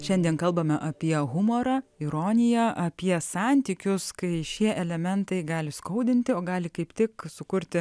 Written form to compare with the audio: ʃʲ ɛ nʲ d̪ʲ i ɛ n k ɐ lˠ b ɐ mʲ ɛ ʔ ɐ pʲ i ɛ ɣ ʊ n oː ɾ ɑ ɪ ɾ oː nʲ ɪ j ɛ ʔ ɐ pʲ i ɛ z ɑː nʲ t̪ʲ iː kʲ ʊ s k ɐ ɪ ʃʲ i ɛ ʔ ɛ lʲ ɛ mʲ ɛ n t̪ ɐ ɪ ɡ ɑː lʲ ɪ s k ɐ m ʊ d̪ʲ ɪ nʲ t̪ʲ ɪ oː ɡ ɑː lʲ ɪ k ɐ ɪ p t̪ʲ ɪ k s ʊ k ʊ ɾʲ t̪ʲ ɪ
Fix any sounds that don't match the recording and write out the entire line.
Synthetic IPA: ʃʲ ɛ nʲ d̪ʲ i ɛ n k ɐ lˠ b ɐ mʲ ɛ ʔ ɐ pʲ i ɛ ɣ ʊ m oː ɾ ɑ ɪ ɾ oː nʲ ɪ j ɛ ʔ ɐ pʲ i ɛ s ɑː nʲ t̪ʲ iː kʲ ʊ s k ɐ ɪ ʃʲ i ɛ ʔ ɛ lʲ ɛ mʲ ɛ n t̪ ɐ ɪ ɡ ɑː lʲ ɪ s k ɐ ʊ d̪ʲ ɪ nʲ t̪ʲ ɪ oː ɡ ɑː lʲ ɪ k ɐ ɪ p t̪ʲ ɪ k s ʊ k ʊ ɾʲ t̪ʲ ɪ